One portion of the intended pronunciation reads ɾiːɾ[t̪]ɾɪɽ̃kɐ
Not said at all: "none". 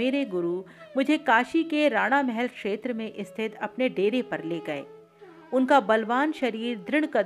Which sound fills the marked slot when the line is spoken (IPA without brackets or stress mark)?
d̪